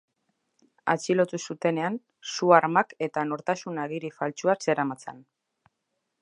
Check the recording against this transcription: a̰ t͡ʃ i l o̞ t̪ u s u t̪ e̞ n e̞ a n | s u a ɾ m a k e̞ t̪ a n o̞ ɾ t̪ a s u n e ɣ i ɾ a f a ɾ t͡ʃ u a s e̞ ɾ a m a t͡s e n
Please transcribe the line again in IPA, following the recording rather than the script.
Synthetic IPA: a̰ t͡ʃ i l o̞ t̪ u s u t̪ e̞ n e̞ a n | s u a ɾ m a k e̞ t̪ a n o̞ ɾ t̪ a s u n a ɣ i ɾ i f a l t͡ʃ u a s e̞ ɾ a m a t͡s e n

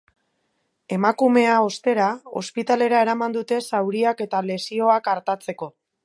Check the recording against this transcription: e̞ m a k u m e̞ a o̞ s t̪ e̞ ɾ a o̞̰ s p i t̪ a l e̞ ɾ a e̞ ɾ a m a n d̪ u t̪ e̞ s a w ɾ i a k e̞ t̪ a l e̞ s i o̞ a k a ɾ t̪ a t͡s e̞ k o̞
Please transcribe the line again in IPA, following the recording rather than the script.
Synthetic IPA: e̞ m a k u m e̞ a o̞ s t̪ e̞ ɾ a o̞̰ s p i t̪ a l e̞ ɾ a e̞ ɾ a m a n d̪ u t̪ e̞ s a w ɾ i a k e̞ t̪ a l e̞ s i o̞ a k a ɾ t̪ a t͡s e̞ k o̞

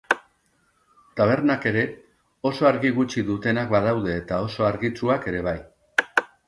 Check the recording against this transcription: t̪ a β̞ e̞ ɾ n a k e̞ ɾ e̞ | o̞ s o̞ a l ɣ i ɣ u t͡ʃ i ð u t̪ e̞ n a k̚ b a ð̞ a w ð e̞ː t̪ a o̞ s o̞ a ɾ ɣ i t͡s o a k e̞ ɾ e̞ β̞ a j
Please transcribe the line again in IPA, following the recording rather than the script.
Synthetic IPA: t̪ a β̞ e̞ ɾ n a k e̞ ɾ e̞ | o̞ s o̞ a ɾ ɣ i ɣ u t͡ʃ i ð u t̪ e̞ n a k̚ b a ð̞ a w ð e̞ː t̪ a o̞ s o̞ a ɾ ɣ i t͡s u a k e̞ ɾ e̞ β̞ a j

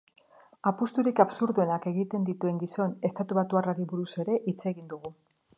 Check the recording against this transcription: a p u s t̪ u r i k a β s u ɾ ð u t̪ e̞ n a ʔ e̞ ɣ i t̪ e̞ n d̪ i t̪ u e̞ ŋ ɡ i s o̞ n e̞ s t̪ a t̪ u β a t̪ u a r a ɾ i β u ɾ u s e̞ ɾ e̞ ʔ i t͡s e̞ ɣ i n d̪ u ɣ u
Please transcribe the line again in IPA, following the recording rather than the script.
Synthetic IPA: a p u s t̪ u ɾ i k a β s u ɾ ð u e̞ n a k e̞ ɣ i t̪ e̞ n d̪ i t̪ u e̞ ŋ ɡ i s o̞ n e̞ s t̪ a t̪ u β a t̪ u a r a ɾ i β u ɾ u s e̞ ɾ e̞ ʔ i t͡s e̞ ɣ i n d̪ u ɣ u

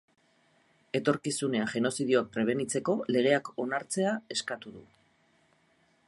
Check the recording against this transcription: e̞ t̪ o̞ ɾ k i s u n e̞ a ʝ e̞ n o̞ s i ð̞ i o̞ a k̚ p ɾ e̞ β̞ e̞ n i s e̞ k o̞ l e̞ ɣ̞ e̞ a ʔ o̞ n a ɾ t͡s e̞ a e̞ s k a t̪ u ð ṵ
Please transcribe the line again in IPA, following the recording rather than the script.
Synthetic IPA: e̞ t̪ o̞ ɾ k i s u n e̞ a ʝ e̞ n o̞ s i ð̞ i o̞ a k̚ p ɾ e̞ β̞ e̞ n i t͡s e̞ k o̞ l e̞ ɣ̞ e̞ a k o̞ n a ɾ t͡s e̞ a e̞ s k a t̪ u ð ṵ

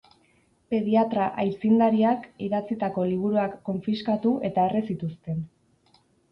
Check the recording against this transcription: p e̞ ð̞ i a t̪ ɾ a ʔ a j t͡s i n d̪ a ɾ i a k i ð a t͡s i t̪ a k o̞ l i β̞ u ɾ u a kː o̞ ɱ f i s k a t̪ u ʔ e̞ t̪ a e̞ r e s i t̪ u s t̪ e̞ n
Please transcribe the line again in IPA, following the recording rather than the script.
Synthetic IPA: p e̞ ð̞ i a t̪ ɾ a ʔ a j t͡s i n d̪ a ɾ i a k i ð a t͡s i t̪ a k o̞ l i β̞ u ɾ u a kː o̞ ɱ f i s k a t̪ u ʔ e̞ t̪ a e̞ r e s i t̪ u s t̪ e̞ n

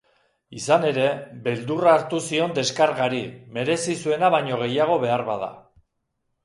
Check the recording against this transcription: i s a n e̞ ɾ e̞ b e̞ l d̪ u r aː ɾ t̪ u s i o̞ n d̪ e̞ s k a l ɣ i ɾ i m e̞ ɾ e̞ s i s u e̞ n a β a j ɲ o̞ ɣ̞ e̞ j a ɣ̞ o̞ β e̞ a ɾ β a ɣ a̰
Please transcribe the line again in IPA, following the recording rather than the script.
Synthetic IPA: i s a n e̞ ɾ e̞ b e̞ l d̪ u r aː ɾ t̪ u s i o̞ n d̪ e̞ s k a ɾ ɣ a ɾ i m e̞ ɾ e̞ s i s u e̞ n a β a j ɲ o̞ ɣ̞ e̞ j a ɣ̞ o̞ β e̞ a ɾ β a ð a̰

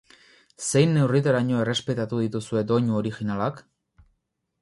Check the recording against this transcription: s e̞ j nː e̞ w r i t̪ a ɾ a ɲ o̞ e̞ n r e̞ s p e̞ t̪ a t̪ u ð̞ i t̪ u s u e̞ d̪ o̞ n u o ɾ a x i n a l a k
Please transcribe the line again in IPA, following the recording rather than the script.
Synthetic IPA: s e̞ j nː e̞ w r i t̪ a ɾ a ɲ o̞ e̞ r e̞ s p e̞ t̪ a t̪ u ð̞ i t̪ u s u e̞ d̪ o̞ ɲ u o ɾ i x i n a l a k

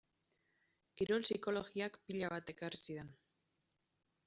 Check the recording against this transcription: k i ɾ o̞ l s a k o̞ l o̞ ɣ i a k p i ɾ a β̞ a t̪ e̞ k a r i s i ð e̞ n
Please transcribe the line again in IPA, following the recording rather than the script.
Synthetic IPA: k i ɾ o̞ l s i k o̞ l o̞ ɣ i a k p i ʎ a β̞ a t̪ e̞ k a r i s i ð e̞ n

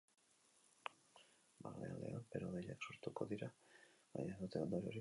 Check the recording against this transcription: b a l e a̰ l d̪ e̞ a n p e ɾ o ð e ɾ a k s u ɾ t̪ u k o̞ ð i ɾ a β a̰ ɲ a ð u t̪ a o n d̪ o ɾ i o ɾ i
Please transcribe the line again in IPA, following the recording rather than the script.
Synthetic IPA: b a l e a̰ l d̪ e̞ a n p e ɾ o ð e ʎ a k s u ɾ t̪ u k o̞ ð i ɾ a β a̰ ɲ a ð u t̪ e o n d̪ o ɾ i o ɾ i

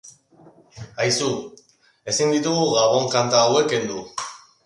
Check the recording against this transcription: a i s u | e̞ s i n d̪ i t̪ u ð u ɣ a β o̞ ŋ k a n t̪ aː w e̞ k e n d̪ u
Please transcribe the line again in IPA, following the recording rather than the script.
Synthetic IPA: a j s u | e̞ s i n d̪ i t̪ u ɣ u ɣ a β o̞ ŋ k a n t̪ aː w e̞ k e n d̪ u

